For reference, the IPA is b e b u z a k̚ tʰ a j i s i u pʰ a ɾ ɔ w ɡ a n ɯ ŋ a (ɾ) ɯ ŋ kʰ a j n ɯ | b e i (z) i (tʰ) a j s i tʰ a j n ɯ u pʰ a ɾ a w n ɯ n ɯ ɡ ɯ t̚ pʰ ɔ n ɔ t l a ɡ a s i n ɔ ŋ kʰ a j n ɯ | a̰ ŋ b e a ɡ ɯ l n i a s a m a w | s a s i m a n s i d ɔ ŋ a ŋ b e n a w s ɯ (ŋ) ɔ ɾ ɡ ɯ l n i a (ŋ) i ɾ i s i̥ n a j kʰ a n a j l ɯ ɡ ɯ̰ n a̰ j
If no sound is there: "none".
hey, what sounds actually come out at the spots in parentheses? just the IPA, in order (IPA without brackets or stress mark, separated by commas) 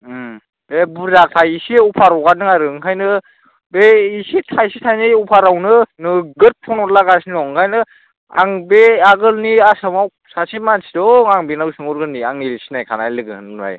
ɾ, s, tʰ, ŋ, ŋ